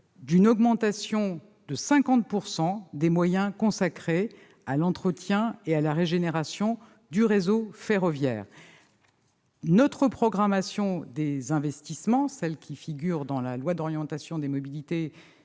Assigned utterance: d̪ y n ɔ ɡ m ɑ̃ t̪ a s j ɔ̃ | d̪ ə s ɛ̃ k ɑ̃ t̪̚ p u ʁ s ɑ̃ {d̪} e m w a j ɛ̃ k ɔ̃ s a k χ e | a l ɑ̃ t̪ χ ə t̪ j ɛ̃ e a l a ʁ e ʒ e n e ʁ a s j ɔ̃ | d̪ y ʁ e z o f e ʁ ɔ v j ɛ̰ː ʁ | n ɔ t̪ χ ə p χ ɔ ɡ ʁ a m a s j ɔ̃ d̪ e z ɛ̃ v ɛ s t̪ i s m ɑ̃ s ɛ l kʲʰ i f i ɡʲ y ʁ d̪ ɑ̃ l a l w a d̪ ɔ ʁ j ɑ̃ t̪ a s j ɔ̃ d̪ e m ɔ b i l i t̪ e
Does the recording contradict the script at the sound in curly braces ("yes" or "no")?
no